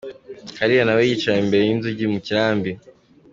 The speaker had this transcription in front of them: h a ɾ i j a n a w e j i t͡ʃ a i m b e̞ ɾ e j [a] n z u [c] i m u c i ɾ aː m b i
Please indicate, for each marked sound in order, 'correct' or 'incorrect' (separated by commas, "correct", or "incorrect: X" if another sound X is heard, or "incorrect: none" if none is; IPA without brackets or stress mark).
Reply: incorrect: i, incorrect: ɟ